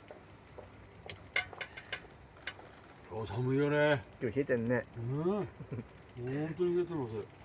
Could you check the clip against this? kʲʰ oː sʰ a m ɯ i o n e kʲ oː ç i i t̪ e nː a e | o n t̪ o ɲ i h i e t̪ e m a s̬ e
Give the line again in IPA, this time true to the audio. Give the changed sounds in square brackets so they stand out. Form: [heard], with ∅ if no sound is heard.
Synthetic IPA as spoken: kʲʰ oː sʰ a m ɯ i o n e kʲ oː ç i [e] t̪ e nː [e] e | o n t̪ o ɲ i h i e t̪ e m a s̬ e